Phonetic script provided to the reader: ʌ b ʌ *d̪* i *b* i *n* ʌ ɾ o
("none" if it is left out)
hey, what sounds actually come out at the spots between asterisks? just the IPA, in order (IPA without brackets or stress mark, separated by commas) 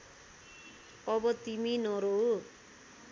t̪, m, n